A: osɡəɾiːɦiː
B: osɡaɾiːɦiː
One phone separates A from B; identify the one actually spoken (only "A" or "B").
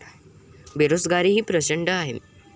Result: B